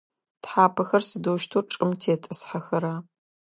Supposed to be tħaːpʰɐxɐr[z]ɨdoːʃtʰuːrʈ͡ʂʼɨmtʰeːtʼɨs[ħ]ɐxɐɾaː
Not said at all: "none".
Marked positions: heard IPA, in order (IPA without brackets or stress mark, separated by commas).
s, ħ